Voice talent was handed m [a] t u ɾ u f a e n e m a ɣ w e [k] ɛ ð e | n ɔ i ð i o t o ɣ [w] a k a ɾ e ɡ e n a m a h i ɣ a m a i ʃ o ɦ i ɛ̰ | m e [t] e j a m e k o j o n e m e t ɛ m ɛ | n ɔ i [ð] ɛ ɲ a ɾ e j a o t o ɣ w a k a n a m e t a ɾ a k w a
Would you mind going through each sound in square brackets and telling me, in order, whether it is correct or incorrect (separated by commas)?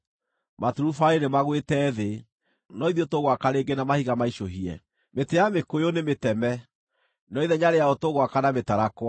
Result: correct, incorrect, correct, correct, correct